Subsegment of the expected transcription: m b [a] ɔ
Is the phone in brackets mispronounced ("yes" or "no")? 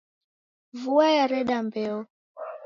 yes